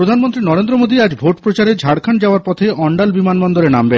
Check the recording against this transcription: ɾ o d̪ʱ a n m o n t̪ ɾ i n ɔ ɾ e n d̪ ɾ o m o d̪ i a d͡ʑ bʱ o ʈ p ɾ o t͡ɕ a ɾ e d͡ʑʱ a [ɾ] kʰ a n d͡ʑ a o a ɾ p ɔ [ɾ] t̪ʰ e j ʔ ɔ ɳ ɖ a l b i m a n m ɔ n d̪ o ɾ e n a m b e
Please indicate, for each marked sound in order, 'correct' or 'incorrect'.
incorrect: ɽ, incorrect: none

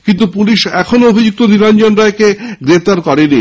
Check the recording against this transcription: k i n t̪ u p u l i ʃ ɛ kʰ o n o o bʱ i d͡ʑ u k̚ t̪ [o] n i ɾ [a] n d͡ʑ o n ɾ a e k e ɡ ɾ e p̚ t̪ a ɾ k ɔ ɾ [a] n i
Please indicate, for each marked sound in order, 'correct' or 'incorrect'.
correct, correct, incorrect: e

